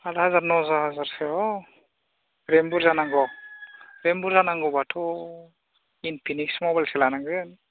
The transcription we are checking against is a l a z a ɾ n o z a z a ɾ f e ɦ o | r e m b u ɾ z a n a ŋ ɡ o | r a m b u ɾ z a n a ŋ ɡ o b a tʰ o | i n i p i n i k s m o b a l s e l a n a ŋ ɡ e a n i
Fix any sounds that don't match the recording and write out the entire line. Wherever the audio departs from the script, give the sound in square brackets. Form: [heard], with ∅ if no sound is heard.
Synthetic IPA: a l a z a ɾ n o z a z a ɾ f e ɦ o | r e m b u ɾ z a n a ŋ ɡ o | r [e] m b u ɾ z a n a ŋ ɡ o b a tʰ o | i n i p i n i k s m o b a l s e l a n a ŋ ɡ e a n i

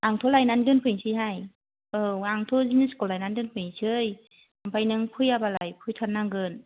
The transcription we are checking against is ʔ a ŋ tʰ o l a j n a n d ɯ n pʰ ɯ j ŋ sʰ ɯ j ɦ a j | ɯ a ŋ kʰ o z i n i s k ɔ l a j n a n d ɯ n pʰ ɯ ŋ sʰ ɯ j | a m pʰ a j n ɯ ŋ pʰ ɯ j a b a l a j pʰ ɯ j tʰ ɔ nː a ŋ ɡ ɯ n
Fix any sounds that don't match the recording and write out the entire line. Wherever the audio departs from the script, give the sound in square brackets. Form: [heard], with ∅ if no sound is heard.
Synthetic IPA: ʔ a ŋ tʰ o l a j n a n d ɯ n pʰ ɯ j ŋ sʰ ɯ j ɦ a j | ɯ a ŋ [tʰ] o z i n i s k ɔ l a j n a n d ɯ n pʰ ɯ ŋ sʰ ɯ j | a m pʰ a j n ɯ ŋ pʰ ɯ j a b a l a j pʰ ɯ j tʰ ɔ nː a ŋ ɡ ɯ n

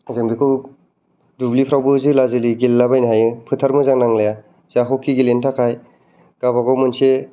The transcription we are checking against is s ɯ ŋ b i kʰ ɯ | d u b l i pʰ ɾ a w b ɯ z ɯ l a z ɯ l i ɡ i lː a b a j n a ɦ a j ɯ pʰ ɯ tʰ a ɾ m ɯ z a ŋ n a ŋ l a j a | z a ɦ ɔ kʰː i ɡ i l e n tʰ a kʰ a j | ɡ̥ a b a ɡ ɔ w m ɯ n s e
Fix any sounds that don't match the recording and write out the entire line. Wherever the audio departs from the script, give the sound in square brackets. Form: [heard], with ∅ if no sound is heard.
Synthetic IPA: [z] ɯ ŋ b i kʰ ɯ | d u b l i pʰ ɾ a w b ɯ z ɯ l a z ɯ l i ɡ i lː a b a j n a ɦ a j ɯ pʰ ɯ tʰ a ɾ m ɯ z a ŋ n a ŋ l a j a | z a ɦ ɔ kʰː i ɡ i l e n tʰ a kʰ a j | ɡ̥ a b a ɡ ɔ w m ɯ n s e

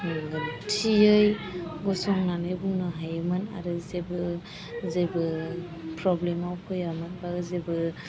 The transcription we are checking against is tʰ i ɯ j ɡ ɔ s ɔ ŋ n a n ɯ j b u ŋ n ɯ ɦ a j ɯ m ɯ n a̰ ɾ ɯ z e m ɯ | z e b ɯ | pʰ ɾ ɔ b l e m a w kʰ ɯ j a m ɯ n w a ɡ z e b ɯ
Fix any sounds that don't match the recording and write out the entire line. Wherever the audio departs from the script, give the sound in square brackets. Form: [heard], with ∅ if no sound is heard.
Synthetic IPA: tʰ i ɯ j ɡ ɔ s ɔ ŋ n a n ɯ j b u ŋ n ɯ ɦ a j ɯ m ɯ n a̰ ɾ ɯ z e [b] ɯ | z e b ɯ | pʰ ɾ ɔ b l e m a w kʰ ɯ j a m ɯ n [b] a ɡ z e b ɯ

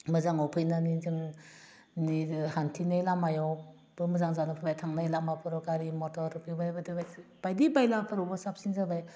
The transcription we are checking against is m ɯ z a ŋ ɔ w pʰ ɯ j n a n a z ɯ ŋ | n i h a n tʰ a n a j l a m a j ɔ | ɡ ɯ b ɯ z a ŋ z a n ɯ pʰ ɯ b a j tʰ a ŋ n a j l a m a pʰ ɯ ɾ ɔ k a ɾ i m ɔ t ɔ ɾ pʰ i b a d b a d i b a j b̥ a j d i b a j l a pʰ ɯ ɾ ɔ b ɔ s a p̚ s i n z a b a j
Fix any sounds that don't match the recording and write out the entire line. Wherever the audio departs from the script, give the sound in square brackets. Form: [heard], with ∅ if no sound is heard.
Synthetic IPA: m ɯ z a ŋ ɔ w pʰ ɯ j n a n [i] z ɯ ŋ | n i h a n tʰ [i] n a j l a m a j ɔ | [b] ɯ [m] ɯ z a ŋ z a n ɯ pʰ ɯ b a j tʰ a ŋ n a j l a m a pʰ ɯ ɾ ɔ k a ɾ i m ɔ t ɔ ɾ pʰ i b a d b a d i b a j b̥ a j d i b a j l a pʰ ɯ ɾ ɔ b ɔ s a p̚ s i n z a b a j

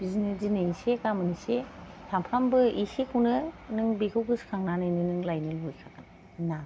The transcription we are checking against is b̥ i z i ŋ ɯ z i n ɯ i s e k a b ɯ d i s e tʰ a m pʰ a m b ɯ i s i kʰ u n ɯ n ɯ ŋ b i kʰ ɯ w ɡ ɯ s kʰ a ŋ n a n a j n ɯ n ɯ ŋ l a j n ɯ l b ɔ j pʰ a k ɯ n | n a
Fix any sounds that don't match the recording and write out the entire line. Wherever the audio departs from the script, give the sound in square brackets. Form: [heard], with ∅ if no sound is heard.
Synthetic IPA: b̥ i z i [n] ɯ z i n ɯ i s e k a [m] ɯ [n] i s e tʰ a m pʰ a m b ɯ i s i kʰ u n ɯ n ɯ ŋ b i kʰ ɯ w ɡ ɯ s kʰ a ŋ n a n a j n ɯ n ɯ ŋ l a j n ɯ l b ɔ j [kʰ] a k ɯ n | n a

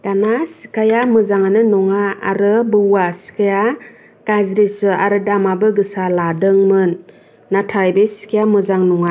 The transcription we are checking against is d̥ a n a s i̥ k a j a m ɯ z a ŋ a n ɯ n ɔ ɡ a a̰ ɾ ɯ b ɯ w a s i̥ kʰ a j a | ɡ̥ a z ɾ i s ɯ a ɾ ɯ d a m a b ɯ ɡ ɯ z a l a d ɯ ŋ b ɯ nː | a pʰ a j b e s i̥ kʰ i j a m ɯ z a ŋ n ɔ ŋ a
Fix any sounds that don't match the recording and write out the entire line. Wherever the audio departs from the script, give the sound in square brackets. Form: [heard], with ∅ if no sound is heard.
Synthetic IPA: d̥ a n a s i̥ k a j a m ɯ z a ŋ a n ɯ n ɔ [ŋ] a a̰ ɾ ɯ b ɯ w a s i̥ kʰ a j a | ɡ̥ a z ɾ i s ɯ a ɾ ɯ d a m a b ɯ ɡ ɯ [s] a l a d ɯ ŋ [m] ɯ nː | a [tʰ] a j b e s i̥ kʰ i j a m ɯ z a ŋ n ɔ ŋ a

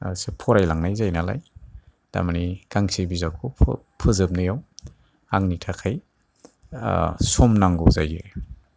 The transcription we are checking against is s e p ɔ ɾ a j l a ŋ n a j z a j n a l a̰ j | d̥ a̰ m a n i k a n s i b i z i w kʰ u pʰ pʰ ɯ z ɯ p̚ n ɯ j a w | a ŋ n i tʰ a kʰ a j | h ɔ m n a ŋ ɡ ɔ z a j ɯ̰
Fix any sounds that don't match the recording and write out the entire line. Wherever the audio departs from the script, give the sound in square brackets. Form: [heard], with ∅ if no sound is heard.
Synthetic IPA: s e [pʰ] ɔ ɾ a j l a ŋ n a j z a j n a l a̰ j | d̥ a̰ m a n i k a [ŋ] s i b i z [a] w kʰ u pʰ pʰ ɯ z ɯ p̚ n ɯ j a w | a ŋ n i tʰ a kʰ a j | [s] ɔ m n a ŋ ɡ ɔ z a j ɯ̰

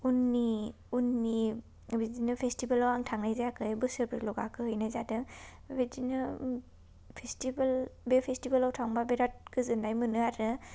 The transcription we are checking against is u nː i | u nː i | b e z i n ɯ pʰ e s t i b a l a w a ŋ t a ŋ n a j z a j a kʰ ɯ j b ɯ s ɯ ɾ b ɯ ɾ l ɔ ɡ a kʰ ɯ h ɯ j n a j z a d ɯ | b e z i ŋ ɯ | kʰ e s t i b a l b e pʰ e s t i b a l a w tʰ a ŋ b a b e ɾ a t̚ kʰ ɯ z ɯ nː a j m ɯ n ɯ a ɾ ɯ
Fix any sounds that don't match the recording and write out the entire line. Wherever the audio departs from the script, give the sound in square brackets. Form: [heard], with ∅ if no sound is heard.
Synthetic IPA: u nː i | u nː i | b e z i n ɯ pʰ e s t i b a l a w a ŋ [tʰ] a ŋ n a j z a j a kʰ ɯ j b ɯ s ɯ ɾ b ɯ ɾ l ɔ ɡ a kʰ ɯ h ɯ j n a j z a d ɯ | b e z i [n] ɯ | [pʰ] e s t i b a l b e pʰ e s t i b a l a w tʰ a ŋ b a b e ɾ a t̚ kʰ ɯ z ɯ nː a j m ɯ n ɯ a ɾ ɯ

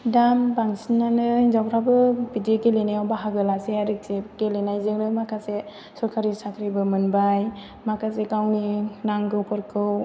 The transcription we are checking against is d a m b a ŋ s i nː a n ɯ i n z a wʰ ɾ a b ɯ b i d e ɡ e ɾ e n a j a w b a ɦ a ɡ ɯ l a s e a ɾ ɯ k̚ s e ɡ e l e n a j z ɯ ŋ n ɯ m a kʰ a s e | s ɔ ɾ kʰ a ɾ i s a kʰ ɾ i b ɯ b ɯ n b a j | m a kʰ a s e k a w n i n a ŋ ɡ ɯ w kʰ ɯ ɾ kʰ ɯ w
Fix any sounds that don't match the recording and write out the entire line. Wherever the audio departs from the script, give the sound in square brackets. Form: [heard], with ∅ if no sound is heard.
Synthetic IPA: d a m b a ŋ s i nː a n ɯ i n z a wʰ ɾ a b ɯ b i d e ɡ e [l] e n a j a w b a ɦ a ɡ ɯ l a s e a ɾ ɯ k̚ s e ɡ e l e n a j z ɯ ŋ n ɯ m a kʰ a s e | s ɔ ɾ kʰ a ɾ i s a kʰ ɾ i b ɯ [m] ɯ n b a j | m a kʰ a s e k a w n i n a ŋ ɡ ɯ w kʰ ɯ ɾ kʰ ɯ w

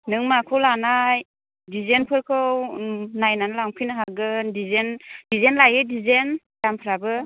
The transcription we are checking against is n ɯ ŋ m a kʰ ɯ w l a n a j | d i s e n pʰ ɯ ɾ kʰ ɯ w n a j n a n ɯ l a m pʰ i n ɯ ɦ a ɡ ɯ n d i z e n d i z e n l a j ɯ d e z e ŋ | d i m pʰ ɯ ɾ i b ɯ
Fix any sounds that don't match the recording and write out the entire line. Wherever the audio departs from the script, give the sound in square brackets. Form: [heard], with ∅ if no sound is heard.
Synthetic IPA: n ɯ ŋ m a kʰ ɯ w l a n a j | d i [z] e n pʰ ɯ ɾ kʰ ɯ w n a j n a n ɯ l a [ŋ] pʰ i n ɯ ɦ a ɡ ɯ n d i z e n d i z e n l a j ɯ d [i] z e [n] | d [a] m pʰ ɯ ɾ [a] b ɯ

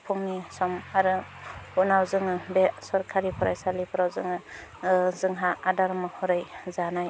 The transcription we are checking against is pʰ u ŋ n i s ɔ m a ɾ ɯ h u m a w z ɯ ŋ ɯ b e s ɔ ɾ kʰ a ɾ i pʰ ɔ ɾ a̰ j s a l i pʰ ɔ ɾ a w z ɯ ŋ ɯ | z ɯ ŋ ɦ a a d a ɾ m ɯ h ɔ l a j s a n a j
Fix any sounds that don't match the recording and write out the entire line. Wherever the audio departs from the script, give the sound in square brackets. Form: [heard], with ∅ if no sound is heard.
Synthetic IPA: pʰ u ŋ n i s ɔ m a ɾ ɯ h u [n] a w z ɯ ŋ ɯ b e s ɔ ɾ kʰ a ɾ i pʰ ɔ ɾ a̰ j s a l i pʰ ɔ ɾ a w z ɯ ŋ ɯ | z ɯ ŋ ɦ a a d a ɾ m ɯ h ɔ [ɾ] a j [z] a n a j

